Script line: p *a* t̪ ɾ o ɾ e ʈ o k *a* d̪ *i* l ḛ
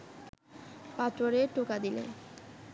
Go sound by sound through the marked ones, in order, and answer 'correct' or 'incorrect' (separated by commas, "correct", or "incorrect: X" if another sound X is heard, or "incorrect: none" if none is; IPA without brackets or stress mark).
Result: correct, correct, correct